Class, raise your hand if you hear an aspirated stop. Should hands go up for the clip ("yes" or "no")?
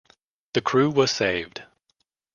yes